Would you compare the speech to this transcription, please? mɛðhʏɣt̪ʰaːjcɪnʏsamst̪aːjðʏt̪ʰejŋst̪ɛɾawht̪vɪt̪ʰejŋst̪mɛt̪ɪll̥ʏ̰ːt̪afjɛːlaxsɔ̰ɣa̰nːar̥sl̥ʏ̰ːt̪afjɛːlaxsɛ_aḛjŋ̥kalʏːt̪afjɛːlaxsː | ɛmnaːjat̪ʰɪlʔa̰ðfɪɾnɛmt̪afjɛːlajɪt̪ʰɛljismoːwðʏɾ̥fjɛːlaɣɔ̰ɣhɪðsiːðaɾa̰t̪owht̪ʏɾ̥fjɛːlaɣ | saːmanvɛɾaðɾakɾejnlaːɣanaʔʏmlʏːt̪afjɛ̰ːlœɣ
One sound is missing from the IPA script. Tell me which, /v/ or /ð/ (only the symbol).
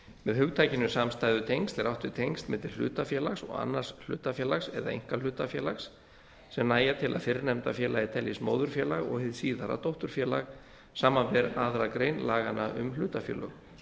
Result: ð